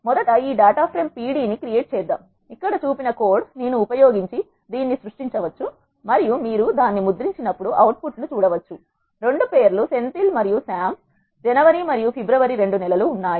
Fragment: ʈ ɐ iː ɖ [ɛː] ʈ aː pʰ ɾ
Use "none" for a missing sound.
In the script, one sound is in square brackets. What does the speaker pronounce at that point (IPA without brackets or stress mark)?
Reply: aː